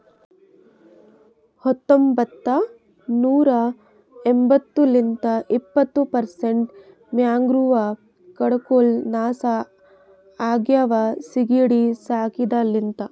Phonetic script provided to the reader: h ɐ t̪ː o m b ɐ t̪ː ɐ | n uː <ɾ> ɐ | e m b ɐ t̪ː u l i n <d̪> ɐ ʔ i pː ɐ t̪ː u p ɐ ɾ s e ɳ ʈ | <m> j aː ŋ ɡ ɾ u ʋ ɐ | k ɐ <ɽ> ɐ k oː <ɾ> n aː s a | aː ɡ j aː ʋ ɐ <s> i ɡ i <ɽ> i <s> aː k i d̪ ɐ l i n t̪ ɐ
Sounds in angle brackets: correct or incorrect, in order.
correct, incorrect, correct, correct, incorrect, correct, correct, correct

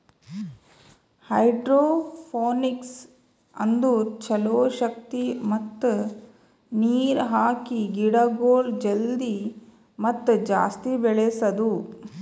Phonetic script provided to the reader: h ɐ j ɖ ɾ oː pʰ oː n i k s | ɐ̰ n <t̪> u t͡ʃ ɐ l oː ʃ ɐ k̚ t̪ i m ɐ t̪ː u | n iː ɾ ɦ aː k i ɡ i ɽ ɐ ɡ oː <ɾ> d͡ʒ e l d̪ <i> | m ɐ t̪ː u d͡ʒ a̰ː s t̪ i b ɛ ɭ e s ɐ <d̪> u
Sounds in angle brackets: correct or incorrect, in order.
incorrect, incorrect, correct, correct

